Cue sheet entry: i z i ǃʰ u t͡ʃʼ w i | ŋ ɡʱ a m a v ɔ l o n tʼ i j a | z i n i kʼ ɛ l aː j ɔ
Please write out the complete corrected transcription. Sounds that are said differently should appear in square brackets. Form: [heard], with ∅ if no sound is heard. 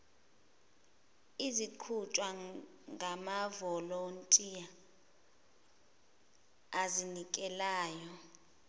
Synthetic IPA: i z i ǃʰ u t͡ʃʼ w [a] | ŋ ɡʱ a m a v ɔ l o n tʼ i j a | z i n i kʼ ɛ l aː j ɔ